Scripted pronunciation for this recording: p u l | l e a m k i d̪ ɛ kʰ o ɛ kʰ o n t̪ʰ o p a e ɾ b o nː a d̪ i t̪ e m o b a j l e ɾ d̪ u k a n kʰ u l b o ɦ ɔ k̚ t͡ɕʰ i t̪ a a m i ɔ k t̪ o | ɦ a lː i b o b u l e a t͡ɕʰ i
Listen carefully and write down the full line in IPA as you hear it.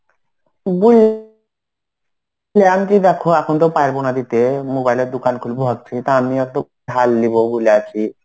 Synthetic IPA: b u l | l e a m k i d̪ ɛ kʰ o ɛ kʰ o n t̪ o p a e ɾ b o n a d̪ i t̪ e m o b a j l e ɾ d̪ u k a n kʰ u l b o ɦ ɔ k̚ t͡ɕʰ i t̪ a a m i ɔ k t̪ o | ɦ a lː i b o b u l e a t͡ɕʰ i